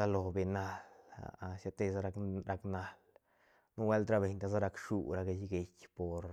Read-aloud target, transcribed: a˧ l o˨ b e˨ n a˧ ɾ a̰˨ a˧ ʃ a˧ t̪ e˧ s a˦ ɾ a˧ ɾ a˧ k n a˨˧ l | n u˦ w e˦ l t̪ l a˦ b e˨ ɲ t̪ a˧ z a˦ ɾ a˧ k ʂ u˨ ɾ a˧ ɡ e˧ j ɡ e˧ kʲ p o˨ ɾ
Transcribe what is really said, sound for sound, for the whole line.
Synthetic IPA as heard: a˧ l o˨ b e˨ n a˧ l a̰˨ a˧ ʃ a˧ t̪ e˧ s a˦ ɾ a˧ ɾ a˧ k n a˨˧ l | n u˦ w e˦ l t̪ ɾ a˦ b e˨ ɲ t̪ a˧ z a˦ ɾ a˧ k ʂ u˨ ɾ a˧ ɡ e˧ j ɡ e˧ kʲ p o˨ ɾ